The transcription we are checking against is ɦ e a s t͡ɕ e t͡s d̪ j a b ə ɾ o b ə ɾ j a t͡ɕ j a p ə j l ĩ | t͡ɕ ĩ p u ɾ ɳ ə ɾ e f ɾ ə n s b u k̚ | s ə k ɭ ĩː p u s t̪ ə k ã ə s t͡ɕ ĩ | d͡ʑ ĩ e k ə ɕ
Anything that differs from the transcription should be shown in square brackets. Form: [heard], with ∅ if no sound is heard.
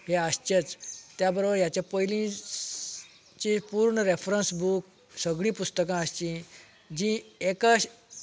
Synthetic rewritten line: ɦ e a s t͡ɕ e t͡s [t̪] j a b ə ɾ o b ə ɾ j a t͡ɕ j a p ə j l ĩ | t͡ɕ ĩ p u ɾ ɳ ə ɾ e f ɾ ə n s b u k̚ | s ə [ɡ] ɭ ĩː p u s t̪ ə k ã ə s t͡ɕ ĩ | d͡ʑ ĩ e k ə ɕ